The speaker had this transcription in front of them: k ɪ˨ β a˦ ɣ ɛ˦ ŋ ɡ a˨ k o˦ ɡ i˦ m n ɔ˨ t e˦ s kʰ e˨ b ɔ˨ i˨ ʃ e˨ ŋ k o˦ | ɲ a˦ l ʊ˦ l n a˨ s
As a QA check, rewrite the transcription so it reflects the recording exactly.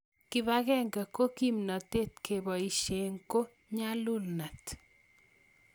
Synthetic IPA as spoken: k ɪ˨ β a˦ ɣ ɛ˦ ŋ ɡ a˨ k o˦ k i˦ m n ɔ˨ t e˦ t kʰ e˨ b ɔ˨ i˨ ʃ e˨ ŋ k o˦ | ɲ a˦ l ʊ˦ l n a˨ t